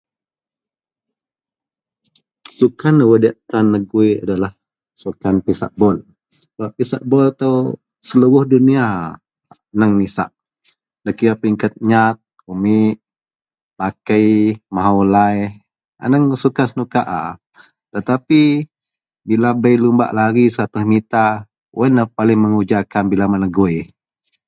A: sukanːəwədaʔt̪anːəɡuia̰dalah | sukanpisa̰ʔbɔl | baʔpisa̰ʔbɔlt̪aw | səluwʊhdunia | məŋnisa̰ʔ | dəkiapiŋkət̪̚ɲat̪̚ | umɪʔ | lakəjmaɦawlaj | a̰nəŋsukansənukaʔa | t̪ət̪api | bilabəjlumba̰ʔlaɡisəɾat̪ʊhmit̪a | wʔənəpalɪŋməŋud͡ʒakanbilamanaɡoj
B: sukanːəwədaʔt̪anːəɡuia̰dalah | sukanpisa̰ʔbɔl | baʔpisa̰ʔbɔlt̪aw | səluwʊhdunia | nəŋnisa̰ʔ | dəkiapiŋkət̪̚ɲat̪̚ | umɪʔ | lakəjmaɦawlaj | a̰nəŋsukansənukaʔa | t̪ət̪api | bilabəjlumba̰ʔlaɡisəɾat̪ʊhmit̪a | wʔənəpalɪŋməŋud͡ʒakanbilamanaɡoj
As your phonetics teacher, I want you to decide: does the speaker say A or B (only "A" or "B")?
B